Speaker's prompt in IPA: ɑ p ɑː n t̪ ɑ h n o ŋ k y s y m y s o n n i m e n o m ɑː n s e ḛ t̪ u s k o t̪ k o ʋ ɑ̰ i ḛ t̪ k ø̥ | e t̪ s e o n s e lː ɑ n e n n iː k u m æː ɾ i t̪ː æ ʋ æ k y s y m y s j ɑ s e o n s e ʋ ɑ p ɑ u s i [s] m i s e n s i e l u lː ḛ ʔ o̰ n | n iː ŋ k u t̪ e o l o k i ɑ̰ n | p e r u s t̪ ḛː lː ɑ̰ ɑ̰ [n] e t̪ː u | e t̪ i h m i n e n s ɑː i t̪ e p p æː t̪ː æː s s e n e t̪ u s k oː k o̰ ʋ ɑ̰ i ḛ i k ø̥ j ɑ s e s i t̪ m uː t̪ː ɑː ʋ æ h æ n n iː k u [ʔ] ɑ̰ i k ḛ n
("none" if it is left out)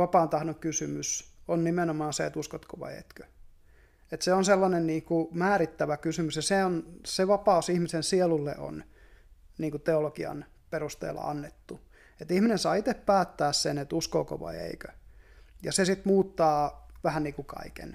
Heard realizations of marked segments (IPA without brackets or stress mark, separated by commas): h, nː, k